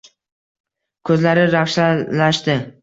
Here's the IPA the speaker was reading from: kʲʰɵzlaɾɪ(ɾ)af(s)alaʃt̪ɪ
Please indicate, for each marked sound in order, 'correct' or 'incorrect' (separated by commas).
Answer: correct, incorrect